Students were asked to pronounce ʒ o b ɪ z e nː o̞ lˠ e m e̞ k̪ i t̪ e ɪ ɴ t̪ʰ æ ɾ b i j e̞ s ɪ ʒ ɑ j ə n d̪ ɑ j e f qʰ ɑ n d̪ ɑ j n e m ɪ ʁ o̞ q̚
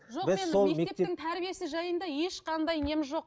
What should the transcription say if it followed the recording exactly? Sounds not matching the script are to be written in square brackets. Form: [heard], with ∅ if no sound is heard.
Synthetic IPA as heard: ʒ o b ɪ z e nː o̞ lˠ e m e̞ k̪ [e] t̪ e ɪ [ŋ] t̪ʰ æ ɾ b i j e̞ s ɪ ʒ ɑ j ə n d̪ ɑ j e [ʃ] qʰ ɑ n d̪ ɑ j n e m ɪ [ʒ] o̞ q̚